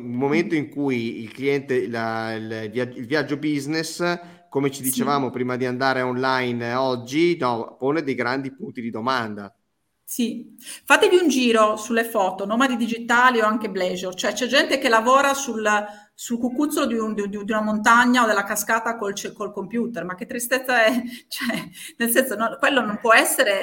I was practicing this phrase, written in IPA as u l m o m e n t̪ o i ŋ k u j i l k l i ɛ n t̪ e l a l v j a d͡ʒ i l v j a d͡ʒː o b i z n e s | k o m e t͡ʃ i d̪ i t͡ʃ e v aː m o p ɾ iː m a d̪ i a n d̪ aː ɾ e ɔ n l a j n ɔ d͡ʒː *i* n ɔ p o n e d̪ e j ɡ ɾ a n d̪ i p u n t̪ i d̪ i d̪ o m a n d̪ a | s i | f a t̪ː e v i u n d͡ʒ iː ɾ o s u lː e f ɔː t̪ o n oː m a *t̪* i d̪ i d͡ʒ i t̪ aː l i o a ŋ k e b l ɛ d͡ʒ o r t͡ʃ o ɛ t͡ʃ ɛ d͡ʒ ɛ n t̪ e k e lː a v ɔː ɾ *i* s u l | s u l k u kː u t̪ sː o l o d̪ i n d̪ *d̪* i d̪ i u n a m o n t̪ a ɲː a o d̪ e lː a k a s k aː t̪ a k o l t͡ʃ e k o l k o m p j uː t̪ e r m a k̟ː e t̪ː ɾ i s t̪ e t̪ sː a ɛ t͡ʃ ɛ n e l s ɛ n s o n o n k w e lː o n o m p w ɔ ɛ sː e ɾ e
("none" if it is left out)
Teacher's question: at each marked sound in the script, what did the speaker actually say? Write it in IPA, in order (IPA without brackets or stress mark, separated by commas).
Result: i, d̪, a, d̪